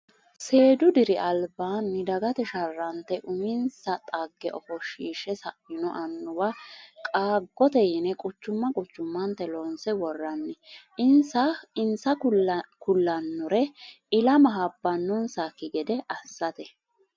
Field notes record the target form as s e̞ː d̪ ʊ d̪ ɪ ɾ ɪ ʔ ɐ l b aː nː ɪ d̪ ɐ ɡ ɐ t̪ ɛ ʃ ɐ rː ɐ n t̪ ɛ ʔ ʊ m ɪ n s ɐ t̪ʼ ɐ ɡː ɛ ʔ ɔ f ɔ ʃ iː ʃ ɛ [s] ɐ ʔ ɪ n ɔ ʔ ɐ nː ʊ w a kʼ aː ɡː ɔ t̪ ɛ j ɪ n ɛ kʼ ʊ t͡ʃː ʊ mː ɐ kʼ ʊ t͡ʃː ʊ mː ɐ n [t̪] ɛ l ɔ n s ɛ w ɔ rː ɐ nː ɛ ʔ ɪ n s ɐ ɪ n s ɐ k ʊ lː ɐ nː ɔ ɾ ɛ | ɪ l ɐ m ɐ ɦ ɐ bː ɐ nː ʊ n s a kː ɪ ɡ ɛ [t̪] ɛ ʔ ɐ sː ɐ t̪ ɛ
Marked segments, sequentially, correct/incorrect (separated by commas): correct, correct, incorrect